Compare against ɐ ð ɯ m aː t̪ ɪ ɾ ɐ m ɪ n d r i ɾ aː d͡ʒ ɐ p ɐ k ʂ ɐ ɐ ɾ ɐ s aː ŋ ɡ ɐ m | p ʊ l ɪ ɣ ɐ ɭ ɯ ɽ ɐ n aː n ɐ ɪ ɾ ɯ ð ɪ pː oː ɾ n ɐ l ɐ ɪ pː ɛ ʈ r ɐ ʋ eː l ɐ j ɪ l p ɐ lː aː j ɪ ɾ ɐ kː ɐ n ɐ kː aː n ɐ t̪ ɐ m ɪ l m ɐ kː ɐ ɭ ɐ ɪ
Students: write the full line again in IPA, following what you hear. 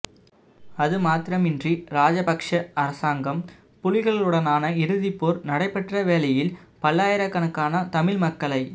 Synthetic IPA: ɐ ð ɯ m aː t̪ ɪ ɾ ɐ m ɪ n d r i ɾ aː d͡ʒ ɐ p ɐ k ʂ ɐ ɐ ɾ ɐ s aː ŋ ɡ ɐ m | p ʊ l ɪ ɣ ɐ ɭ ɯ ɽ ɐ n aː n ɐ ɪ ɾ ɯ ð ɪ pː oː ɾ n ɐ ɽ ɐ ɪ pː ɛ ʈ r ɐ ʋ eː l ɐ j ɪ l p ɐ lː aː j ɪ ɾ ɐ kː ɐ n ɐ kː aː n ɐ t̪ ɐ m ɪ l m ɐ kː ɐ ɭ ɐ ɪ